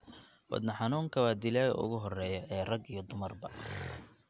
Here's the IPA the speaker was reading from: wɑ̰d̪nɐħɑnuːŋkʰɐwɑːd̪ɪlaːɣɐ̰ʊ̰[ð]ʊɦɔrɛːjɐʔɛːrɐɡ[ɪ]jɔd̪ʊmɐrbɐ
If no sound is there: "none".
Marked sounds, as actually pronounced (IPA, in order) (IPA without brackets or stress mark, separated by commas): ɣ, i